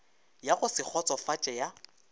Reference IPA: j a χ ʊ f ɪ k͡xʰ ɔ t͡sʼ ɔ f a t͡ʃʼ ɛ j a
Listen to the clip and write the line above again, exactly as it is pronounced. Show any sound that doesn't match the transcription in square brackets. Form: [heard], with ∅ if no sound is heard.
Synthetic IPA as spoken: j a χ ʊ [s] ɪ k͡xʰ ɔ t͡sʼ ɔ f a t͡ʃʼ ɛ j a